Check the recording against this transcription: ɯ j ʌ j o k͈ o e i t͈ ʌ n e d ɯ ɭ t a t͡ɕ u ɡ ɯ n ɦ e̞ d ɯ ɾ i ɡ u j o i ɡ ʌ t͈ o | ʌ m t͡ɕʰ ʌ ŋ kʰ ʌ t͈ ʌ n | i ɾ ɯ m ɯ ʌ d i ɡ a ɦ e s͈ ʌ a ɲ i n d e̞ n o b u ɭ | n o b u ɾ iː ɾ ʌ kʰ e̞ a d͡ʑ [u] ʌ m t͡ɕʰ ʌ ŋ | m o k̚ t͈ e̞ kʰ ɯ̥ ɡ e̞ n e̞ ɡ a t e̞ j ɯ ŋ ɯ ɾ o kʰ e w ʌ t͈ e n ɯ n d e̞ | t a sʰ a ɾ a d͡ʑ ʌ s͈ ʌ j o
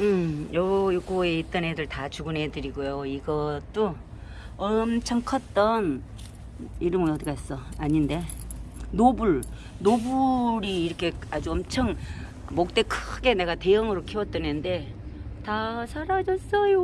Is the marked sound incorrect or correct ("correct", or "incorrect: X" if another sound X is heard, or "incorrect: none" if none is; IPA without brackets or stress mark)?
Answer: correct